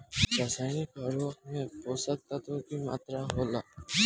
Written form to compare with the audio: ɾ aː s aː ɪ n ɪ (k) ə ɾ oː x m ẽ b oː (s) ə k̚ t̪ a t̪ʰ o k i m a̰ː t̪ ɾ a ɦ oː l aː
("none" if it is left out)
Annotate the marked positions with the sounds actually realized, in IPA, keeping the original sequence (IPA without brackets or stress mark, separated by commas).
k, s